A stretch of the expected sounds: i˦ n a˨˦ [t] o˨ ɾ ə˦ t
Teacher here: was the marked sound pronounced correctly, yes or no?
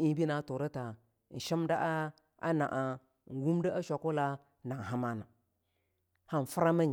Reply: yes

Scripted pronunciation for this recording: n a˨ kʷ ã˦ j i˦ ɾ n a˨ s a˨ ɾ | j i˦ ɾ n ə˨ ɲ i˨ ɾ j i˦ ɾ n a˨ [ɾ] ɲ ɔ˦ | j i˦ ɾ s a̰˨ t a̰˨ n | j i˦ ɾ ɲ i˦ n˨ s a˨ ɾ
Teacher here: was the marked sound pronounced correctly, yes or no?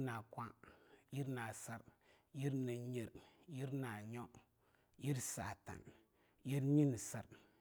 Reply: no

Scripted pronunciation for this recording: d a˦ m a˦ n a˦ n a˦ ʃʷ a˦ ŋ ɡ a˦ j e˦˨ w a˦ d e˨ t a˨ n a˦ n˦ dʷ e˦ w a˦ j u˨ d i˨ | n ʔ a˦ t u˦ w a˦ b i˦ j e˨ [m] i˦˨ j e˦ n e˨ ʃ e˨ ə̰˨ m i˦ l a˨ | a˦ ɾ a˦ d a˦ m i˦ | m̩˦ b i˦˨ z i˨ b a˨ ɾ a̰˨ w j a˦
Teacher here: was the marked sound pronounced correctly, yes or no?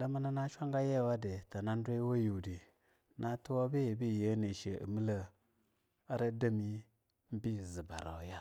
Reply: no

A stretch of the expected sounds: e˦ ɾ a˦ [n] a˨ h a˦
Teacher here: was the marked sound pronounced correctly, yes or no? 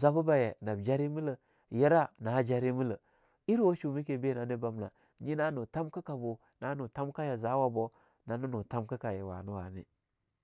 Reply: yes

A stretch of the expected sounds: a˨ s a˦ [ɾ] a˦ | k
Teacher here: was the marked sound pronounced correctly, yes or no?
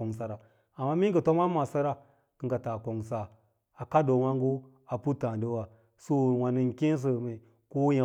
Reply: yes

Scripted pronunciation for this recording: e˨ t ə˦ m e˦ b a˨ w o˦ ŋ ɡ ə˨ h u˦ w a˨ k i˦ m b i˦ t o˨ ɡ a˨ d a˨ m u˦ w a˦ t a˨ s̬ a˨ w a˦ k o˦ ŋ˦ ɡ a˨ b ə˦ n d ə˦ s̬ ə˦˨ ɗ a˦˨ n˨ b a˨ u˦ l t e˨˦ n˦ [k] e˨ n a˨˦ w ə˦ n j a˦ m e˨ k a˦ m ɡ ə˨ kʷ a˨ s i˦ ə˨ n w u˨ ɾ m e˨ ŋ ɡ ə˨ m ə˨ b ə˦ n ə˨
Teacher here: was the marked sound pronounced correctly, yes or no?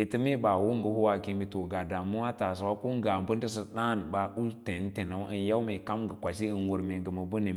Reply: no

